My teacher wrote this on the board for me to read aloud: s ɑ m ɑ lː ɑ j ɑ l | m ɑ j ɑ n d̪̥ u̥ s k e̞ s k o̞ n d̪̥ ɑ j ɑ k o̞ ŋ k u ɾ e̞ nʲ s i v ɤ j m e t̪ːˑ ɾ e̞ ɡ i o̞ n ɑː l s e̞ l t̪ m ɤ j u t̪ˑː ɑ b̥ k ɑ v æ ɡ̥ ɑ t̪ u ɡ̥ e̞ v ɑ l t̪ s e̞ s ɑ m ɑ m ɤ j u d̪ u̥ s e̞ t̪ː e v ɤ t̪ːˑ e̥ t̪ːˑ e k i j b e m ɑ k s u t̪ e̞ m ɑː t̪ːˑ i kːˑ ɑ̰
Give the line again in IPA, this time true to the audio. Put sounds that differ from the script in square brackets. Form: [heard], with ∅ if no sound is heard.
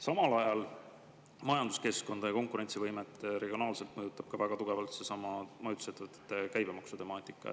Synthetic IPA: s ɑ m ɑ [l] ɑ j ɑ l | m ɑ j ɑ n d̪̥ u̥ s k e̞ s k o̞ n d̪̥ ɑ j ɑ k o̞ ŋ k u ɾ e̞ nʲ s i v ɤ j m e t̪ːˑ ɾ e̞ ɡ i o̞ n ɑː l s e̞ l t̪ m ɤ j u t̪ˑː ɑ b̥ k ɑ v æ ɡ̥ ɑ t̪ u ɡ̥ e̞ v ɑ l t̪ s e̞ s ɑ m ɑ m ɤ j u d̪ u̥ s e̞ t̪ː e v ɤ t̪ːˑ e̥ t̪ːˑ e k [æ] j b e m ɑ k s u t̪ e̞ m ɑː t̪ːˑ i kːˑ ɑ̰

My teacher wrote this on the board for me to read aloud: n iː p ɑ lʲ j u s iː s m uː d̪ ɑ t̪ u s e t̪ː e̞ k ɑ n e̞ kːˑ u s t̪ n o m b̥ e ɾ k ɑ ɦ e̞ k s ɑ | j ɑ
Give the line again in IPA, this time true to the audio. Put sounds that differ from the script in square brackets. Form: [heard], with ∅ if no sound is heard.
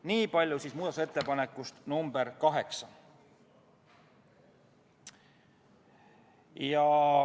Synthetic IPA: n iː p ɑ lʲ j u s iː s m uː d̪ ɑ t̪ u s e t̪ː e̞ [p] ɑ n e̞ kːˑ u s t̪ n [u] m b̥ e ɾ k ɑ ɦ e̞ k s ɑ | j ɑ

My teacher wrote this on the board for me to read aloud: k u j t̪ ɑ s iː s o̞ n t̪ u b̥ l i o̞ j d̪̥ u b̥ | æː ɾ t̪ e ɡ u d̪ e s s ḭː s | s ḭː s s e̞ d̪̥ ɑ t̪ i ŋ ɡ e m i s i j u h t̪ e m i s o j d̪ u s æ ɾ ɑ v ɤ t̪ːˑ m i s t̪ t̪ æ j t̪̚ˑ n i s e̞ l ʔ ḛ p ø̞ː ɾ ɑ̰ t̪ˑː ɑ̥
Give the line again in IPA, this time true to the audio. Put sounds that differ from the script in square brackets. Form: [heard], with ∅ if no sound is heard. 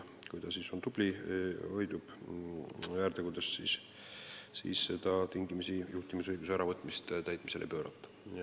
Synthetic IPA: k u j t̪ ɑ s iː s o̞ n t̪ u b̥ l i o̞ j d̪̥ u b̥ | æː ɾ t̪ e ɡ u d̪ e s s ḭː s | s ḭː s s e̞ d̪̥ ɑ t̪ i ŋ ɡ [i] m i s i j u h t̪ [i] m i s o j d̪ u s æ ɾ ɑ v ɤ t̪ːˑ m i s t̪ t̪ æ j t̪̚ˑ [m] i s e̞ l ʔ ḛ p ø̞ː ɾ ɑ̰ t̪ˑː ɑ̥

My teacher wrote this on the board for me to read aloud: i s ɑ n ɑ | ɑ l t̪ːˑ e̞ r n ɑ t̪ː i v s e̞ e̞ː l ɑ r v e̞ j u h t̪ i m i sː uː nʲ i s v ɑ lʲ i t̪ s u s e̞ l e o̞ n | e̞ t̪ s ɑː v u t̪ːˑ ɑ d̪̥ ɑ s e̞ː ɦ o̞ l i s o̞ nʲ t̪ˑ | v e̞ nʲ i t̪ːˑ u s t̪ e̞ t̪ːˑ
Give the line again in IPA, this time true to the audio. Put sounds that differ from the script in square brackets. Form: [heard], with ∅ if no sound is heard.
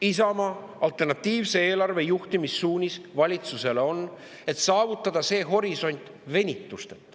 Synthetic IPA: i s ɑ [m] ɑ | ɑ l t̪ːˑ e̞ r n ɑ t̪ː [iː] v s e̞ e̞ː l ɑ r v e̞ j u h t̪ i m i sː uː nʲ i s v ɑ lʲ i t̪ s u s e̞ l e o̞ n | e̞ t̪ s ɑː v u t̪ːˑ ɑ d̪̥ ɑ s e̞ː ɦ o̞ [ɾ] i s o̞ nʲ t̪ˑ | v e̞ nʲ i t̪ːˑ u s t̪ e̞ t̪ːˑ

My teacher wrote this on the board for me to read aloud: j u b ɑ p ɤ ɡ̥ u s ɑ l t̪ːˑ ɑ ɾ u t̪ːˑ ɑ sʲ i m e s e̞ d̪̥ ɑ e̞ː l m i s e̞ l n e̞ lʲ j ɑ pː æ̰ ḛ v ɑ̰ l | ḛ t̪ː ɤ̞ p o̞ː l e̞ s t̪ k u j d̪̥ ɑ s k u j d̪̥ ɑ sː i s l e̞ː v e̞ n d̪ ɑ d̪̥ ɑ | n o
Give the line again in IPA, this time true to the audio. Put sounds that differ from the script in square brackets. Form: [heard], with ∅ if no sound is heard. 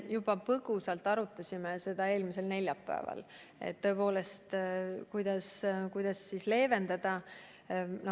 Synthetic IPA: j u b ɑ p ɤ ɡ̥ u s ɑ l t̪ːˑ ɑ ɾ u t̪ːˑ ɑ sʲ i m e s e̞ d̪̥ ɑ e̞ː l m i s e̞ l n e̞ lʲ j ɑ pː æ̰ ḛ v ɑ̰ l | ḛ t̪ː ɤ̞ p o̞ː l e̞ s t̪ k u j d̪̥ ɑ s k u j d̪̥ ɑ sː i s l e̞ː v e̞ n d̪ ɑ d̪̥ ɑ | n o

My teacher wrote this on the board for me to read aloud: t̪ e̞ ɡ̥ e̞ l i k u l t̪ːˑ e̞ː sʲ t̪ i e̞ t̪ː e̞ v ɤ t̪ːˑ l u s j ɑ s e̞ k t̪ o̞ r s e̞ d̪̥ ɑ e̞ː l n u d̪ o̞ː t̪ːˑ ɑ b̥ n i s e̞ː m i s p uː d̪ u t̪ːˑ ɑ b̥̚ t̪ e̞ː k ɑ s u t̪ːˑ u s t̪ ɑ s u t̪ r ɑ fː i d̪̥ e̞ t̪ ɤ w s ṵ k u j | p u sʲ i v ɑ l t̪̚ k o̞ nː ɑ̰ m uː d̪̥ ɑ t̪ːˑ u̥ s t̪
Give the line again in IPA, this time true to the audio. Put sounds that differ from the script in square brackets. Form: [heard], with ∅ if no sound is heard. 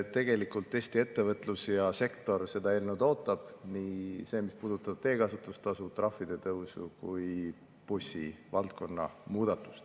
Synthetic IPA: t̪ e̞ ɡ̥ e̞ l i k u l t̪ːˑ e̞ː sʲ t̪ i e̞ t̪ː e̞ v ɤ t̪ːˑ l u s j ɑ s e̞ k t̪ o̞ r s e̞ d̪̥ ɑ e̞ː l n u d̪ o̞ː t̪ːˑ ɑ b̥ n i s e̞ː m i s p uː d̪ u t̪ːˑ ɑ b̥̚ t̪ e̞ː k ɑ s u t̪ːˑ u s t̪ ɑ s u t̪ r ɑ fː i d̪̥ e̞ t̪ ɤ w s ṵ k u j | p u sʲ i v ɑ l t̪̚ k o̞ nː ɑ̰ m uː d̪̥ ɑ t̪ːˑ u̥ s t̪

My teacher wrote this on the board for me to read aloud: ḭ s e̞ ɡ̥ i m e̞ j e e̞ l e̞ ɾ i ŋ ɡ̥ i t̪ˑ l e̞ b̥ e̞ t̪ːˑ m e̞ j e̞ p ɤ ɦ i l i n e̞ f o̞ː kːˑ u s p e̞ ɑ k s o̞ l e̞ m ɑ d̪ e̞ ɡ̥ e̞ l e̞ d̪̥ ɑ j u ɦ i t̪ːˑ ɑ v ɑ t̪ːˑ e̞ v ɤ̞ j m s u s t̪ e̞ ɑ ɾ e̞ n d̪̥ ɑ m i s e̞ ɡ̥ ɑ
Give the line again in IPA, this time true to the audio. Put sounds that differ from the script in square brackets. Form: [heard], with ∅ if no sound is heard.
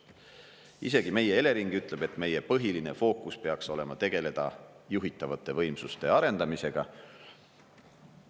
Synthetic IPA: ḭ s e̞ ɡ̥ i m e̞ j e e̞ l e̞ ɾ i ŋ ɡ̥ [y] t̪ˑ l e̞ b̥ e̞ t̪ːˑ m e̞ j e̞ p ɤ ɦ i l i n e̞ f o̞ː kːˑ u s p e̞ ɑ k s o̞ l e̞ m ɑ [t̪] e̞ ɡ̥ e̞ l e̞ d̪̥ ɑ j u ɦ i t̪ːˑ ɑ v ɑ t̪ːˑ e̞ v ɤ̞ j m s u s t̪ e̞ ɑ ɾ e̞ n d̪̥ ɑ m i s e̞ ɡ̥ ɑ

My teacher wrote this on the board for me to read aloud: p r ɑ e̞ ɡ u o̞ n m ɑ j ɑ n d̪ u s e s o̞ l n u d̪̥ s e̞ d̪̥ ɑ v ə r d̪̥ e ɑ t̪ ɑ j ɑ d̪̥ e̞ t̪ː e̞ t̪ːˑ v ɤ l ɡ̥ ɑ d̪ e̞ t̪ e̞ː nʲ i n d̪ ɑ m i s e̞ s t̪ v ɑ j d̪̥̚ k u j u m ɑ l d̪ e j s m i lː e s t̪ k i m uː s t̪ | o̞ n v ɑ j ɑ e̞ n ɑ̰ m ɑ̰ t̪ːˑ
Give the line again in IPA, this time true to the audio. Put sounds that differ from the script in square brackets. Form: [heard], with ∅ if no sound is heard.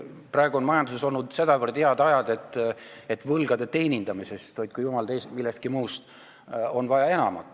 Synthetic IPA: p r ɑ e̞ ɡ u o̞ n m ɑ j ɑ n d̪ u s e s o̞ l n u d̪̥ s e̞ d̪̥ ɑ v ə r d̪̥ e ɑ [d̪] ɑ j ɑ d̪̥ e̞ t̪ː e̞ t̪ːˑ v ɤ l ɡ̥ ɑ d̪ e̞ t̪ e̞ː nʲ i n d̪ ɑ m i s e̞ s t̪ v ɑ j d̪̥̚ k u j u m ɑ l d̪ e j s m i lː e s t̪ k i m uː s t̪ | o̞ n v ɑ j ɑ e̞ n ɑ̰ m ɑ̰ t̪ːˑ

